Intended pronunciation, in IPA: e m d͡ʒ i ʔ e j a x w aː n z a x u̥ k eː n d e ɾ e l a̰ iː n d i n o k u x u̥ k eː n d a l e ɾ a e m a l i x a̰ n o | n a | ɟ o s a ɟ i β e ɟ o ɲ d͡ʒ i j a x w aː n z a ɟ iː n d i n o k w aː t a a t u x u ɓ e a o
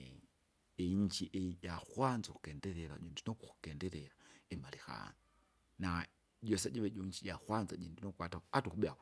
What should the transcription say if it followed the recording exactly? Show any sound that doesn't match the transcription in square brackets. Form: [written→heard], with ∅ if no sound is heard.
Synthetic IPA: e [m→ɲ] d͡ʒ i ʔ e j a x w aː n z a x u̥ k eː n d e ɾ e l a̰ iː n d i n o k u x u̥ k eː n d [a→e] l e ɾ a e m a l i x a̰ n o | n a | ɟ o s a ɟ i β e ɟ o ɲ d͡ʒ i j a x w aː n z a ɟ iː n d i n o k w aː t a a t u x u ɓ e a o